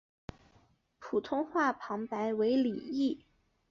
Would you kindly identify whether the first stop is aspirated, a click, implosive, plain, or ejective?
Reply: aspirated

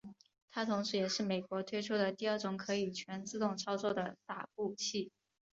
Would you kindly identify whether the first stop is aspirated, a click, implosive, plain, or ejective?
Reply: aspirated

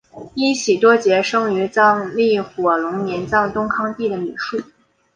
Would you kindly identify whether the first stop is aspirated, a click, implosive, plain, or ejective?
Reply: plain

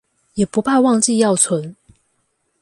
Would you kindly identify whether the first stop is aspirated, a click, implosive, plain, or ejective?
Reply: plain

